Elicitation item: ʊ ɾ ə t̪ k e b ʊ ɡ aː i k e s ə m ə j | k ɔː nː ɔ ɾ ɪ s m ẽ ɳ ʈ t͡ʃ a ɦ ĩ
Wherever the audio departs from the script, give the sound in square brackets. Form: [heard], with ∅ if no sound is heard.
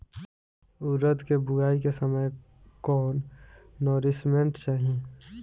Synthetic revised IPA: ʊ ɾ ə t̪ k e b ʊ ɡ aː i k e s ə m ə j | k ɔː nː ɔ ɾ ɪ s m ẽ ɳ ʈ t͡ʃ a ɦ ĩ